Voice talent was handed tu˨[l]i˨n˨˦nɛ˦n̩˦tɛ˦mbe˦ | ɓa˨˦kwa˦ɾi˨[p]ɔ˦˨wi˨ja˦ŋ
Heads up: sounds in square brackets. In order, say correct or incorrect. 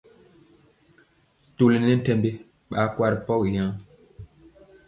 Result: correct, correct

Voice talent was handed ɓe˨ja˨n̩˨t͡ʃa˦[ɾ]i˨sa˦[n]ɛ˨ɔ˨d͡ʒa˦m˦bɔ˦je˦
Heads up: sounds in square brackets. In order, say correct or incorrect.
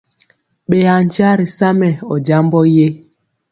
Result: correct, incorrect

